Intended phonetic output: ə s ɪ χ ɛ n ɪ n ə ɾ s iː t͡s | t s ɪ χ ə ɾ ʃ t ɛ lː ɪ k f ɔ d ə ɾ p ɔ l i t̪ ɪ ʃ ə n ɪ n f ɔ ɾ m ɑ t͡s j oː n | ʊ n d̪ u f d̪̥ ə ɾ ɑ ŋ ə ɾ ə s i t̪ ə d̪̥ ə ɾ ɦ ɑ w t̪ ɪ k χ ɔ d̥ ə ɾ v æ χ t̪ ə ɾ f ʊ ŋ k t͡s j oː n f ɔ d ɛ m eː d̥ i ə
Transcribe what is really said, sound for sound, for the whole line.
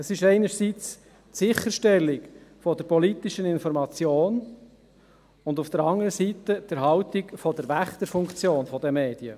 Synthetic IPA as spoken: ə s ɪ ʃ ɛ ɪ n ə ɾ s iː t͡s | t s ɪ χ ə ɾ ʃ t ɛ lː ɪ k f ɔ d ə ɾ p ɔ l i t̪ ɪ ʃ ə n ɪ n f ɔ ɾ m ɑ t͡s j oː n | ʊ n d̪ u f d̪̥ ə ɾ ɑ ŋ ə ɾ ə s i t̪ ə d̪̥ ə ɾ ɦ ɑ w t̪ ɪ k f ɔ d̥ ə ɾ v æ χ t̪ ə ɾ f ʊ ŋ k t͡s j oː n f ɔ d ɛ m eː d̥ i ə